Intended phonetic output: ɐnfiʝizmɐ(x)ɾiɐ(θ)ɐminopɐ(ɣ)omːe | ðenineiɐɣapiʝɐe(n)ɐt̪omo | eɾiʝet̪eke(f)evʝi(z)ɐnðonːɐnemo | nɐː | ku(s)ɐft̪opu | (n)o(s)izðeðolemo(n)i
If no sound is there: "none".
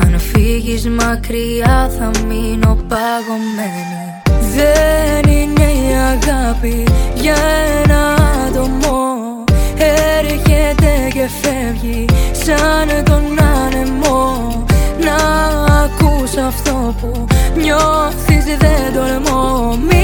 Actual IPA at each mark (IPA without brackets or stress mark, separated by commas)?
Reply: k, θ, ɣ, n, f, s, s, ɲ, θ, m